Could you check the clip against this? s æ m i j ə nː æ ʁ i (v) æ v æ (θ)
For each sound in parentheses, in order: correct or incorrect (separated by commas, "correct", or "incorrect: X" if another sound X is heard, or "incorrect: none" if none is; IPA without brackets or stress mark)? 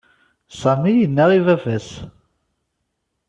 correct, incorrect: s